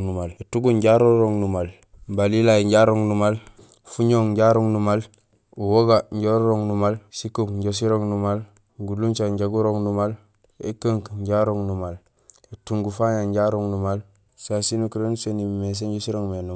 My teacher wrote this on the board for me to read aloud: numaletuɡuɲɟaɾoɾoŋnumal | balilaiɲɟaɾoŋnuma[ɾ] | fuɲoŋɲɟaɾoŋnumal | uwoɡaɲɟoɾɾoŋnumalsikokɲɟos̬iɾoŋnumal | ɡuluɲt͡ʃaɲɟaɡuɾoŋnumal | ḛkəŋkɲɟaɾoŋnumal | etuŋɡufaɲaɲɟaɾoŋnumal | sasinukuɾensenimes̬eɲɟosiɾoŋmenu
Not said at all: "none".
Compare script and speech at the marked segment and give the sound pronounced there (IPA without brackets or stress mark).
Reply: l